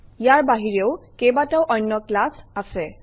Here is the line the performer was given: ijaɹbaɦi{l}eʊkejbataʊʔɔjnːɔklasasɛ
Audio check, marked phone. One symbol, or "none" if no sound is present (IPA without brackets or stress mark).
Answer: ɹ